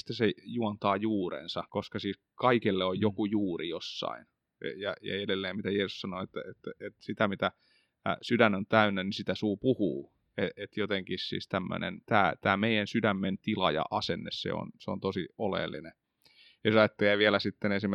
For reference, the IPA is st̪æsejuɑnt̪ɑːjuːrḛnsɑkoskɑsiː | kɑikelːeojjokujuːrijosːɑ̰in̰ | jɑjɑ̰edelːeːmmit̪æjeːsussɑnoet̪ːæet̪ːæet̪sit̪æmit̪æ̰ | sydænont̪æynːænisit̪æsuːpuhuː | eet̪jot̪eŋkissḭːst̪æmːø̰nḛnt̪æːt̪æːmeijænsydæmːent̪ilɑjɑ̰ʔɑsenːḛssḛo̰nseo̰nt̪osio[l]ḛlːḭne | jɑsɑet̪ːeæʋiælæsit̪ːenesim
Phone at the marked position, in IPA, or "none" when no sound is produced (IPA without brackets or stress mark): l